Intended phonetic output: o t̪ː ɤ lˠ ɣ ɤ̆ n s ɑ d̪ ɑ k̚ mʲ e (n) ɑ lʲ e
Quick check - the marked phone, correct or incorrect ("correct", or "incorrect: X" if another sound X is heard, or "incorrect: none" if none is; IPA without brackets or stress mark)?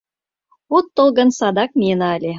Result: correct